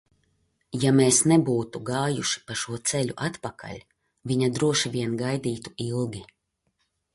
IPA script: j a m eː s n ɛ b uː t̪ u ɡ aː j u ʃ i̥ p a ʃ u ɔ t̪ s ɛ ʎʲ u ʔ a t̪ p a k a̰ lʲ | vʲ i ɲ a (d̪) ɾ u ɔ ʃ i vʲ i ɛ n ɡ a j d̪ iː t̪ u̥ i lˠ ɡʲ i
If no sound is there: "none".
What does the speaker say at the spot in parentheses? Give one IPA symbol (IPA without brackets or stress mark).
d̪